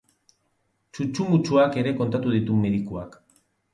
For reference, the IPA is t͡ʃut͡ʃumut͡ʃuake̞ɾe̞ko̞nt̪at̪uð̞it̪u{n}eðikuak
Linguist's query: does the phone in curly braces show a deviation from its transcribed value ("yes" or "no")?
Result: yes